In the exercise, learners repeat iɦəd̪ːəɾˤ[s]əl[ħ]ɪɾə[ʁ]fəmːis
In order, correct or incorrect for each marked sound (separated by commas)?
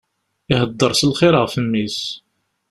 correct, incorrect, correct